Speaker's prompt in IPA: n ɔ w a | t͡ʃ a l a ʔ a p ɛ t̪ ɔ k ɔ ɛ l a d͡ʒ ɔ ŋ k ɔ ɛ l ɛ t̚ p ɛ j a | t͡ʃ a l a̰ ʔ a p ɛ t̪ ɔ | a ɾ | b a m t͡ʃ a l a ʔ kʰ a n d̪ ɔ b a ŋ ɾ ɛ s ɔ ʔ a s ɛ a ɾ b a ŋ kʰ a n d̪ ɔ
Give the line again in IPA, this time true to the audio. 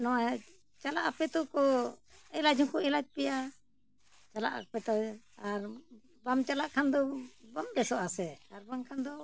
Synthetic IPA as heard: n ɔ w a | t͡ʃ a l a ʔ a p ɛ t̪ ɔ k ɔ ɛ l a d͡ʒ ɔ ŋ k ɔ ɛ l a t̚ p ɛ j a | t͡ʃ a l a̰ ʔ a p ɛ t̪ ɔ | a ɾ | b a m t͡ʃ a l a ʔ kʰ a n d̪ ɔ b a m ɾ ɛ s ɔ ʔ a s ɛ a ɾ b a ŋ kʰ a n d̪ ɔ